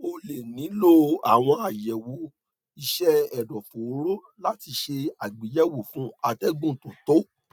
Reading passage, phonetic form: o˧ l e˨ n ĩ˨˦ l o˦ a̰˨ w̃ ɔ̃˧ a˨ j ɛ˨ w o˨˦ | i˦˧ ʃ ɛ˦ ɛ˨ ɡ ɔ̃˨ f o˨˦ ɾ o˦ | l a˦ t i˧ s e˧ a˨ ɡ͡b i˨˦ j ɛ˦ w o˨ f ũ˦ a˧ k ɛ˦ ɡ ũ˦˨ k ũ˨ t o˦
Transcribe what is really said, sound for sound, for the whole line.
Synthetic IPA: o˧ l e˨ n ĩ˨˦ l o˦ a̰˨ w̃ ɔ̃˧ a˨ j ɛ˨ w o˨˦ | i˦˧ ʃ ɛ˦ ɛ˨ d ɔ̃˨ f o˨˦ ɾ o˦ | l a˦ t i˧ ʃ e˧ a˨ ɡ͡b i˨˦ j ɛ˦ w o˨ f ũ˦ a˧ t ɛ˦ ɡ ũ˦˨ t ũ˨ t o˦